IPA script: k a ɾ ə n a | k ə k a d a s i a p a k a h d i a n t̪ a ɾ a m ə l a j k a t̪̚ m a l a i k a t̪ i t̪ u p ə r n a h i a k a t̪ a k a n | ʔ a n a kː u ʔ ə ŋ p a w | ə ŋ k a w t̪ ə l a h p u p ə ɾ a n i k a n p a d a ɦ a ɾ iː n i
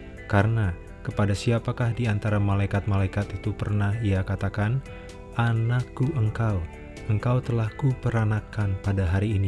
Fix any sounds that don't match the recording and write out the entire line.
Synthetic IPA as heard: k a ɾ ə n a | k ə p a d a s i a p a k a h d i a n t̪ a ɾ a m a l a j k a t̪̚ m a l a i k a t̪ i t̪ u p ə r n a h i a k a t̪ a k a n | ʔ a n a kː u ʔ ə ŋ k a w | ə ŋ k a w t̪ ə l a h k u p ə ɾ a n a k a n p a d a ɦ a ɾ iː n i